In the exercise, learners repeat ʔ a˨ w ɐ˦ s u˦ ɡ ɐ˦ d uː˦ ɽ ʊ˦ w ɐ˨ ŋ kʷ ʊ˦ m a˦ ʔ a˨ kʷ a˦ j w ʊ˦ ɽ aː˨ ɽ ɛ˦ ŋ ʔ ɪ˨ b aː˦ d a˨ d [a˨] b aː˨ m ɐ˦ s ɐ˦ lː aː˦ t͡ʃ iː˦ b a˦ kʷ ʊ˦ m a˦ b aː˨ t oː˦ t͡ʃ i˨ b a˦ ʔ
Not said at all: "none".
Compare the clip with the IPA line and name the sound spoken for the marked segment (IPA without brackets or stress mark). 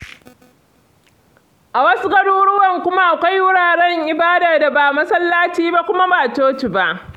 a˨